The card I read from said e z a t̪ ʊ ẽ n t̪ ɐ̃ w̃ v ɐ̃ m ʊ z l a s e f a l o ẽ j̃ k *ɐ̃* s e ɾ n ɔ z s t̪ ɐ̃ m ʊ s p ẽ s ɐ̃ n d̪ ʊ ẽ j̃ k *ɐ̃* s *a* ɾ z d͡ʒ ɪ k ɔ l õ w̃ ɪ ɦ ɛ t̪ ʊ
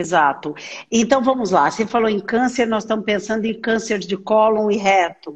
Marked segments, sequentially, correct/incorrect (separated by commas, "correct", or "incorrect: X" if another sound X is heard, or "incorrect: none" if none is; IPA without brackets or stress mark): correct, correct, incorrect: e